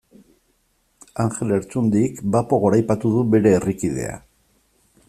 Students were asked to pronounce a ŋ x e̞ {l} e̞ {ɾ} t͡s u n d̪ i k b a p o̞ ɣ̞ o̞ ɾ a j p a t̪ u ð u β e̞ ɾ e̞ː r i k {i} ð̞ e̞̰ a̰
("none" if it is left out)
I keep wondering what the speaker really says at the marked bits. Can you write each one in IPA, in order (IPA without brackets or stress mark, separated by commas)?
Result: l, ɾ, i